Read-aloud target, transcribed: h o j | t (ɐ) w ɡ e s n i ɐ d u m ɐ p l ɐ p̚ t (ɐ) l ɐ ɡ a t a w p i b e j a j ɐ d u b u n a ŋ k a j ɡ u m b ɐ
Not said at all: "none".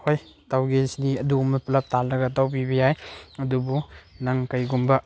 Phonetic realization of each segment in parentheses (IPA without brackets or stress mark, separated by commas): a, a